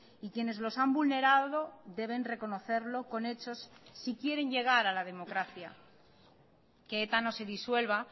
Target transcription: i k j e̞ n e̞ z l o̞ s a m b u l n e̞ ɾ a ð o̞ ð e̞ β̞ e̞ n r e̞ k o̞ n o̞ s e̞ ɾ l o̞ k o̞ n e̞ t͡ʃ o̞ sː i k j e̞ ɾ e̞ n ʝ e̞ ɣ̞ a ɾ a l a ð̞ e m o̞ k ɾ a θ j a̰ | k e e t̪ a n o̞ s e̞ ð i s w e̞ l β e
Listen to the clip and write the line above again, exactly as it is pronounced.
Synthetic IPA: i k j e̞ n e̞ z l o̞ s a m b u l n e̞ ɾ a ð o̞ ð e̞ β̞ e̞ n r e̞ k o̞ n o̞ θ e̞ ɾ l o̞ k o̞ n e̞ t͡ʃ o̞ sː i k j e̞ ɾ e̞ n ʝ e̞ ɣ̞ a ɾ a l a ð̞ e m o̞ k ɾ a θ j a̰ | k e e t̪ a n o̞ s e̞ ð i s w e̞ l β a

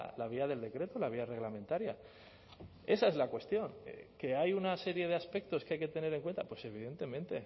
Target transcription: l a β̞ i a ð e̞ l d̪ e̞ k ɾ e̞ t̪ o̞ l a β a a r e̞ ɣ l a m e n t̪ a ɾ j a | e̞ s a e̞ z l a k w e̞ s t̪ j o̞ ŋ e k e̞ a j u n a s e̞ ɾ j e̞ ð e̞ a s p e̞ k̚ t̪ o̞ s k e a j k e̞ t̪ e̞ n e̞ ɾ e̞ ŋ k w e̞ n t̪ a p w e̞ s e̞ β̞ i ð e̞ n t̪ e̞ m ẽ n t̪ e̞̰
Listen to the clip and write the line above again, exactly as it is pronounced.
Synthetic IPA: l a β̞ i a ð e̞ l d̪ e̞ k ɾ e̞ t̪ o̞ l a β i a r e̞ ɣ l a m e n t̪ a ɾ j a | e̞ s a e̞ z l a k w e̞ s t̪ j o̞ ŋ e k e̞ a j u n a s e̞ ɾ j e̞ ð e̞ a s p e̞ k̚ t̪ o̞ s k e a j k e̞ t̪ e̞ n e̞ ɾ e̞ ŋ k w e̞ n t̪ a p w e̞ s e̞ β̞ i ð e̞ n t̪ e̞ m ẽ n t̪ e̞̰

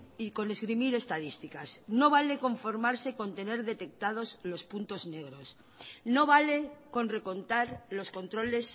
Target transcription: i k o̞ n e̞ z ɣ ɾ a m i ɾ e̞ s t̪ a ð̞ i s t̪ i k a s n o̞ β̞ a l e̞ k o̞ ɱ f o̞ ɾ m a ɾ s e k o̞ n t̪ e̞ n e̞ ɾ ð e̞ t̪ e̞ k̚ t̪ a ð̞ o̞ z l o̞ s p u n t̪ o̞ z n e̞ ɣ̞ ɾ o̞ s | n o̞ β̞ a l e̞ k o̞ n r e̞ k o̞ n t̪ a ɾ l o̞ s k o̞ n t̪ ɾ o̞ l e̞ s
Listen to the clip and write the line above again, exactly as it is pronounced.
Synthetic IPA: i k o̞ n e̞ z ɣ ɾ i m i ɾ e̞ s t̪ a ð̞ i s t̪ i k a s n o̞ β̞ a l e̞ k o̞ ɱ f o̞ ɾ m a ɾ s e k o̞ n t̪ e̞ n e̞ ɾ ð e̞ t̪ e̞ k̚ t̪ a ð̞ o̞ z l o̞ s p u n t̪ o̞ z n e̞ ɣ̞ ɾ o̞ s | n o̞ β̞ a l e̞ k o̞ n r e̞ k o̞ n t̪ a ɾ l o̞ s k o̞ n t̪ ɾ o̞ l e̞ s

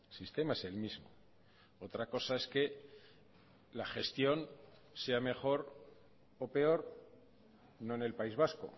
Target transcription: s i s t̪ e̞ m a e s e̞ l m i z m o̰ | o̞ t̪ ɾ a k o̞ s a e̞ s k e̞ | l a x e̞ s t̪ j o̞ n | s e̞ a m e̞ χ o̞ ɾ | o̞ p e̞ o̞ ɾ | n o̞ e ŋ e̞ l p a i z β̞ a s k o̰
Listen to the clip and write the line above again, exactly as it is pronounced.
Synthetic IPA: s i s t̪ e̞ m a e s e̞ l m i z m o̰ | o̞ t̪ ɾ a k o̞ s a e̞ s k e̞ | l a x e̞ s t̪ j o̞ n | s e̞ a m e̞ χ o̞ ɾ | o̞ p e̞ o̞ ɾ | n o̞ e n e̞ l p a i z β̞ a s k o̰

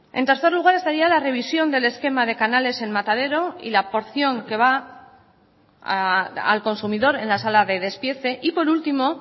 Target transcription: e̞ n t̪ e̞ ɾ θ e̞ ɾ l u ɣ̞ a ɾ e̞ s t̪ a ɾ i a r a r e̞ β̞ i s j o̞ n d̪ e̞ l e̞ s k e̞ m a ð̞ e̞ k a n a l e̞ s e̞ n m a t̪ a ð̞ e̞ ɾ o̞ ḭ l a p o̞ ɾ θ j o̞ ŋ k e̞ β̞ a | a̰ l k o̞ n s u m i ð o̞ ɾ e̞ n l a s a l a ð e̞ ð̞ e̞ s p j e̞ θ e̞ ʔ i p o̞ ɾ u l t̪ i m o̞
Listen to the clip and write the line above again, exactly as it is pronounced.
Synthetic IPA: e̞ n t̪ e̞ ɾ θ e̞ ɾ l u ɣ̞ a ɾ e̞ s t̪ a ɾ i a l a r e̞ β̞ i s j o̞ n d̪ e̞ l e̞ s k e̞ m a ð̞ e̞ k a n a l e̞ s e̞ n m a t̪ a ð̞ e̞ ɾ o̞ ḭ l a p o̞ ɾ θ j o̞ ŋ k e̞ β̞ a | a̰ l k o̞ n s u m i ð o̞ ɾ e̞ n l a s a l a ð e̞ ð̞ e̞ s p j e̞ θ e̞ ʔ i p o̞ ɾ u l t̪ i m o̞

